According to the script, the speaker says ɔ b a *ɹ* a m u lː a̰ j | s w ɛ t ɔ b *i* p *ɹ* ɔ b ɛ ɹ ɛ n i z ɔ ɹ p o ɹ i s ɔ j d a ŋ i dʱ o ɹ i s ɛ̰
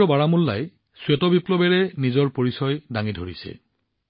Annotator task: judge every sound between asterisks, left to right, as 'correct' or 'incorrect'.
correct, correct, incorrect: l

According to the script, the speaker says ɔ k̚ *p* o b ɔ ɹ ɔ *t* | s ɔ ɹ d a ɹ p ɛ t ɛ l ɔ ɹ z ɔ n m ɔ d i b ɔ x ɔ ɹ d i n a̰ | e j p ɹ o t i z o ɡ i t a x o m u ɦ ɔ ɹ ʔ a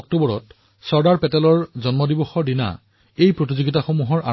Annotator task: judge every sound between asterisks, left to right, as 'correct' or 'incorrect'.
incorrect: t, correct

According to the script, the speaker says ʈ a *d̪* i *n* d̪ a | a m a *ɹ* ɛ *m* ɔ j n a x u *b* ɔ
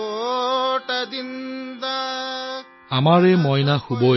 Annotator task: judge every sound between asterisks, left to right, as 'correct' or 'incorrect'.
correct, correct, correct, correct, correct

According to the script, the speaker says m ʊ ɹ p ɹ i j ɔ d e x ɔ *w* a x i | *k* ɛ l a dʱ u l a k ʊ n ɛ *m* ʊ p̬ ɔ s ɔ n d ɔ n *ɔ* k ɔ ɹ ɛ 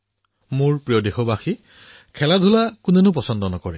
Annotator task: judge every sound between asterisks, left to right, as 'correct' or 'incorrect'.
incorrect: b, incorrect: kʰ, incorrect: n, correct

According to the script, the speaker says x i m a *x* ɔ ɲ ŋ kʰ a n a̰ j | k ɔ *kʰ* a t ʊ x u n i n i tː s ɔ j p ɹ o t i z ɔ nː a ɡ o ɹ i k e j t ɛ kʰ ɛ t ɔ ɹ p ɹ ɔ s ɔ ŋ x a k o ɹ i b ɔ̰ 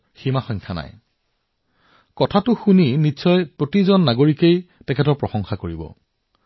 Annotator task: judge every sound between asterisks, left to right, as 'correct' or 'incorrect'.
correct, incorrect: tʰ

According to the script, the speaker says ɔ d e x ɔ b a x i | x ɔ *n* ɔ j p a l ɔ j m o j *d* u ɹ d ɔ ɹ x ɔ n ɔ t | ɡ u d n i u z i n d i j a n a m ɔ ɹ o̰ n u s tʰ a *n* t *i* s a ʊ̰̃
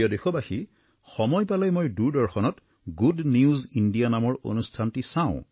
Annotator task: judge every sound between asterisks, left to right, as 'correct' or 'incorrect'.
incorrect: m, correct, correct, correct

